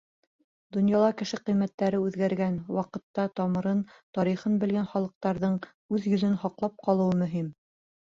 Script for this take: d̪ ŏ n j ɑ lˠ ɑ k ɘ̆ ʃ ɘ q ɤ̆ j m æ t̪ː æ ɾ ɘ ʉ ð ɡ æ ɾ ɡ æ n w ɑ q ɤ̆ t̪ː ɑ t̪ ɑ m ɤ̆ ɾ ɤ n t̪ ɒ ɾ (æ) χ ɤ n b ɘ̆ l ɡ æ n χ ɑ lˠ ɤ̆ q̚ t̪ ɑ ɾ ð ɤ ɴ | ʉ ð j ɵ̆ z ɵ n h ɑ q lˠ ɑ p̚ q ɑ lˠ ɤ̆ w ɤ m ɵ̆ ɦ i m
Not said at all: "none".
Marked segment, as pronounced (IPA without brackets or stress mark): i